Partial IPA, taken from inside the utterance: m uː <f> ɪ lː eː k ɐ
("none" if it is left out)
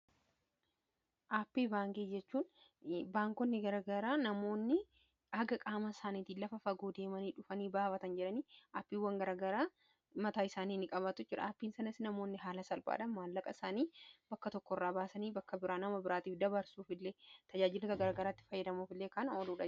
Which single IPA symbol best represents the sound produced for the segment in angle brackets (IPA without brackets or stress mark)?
f